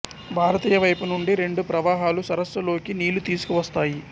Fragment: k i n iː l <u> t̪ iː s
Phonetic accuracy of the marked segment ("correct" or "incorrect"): correct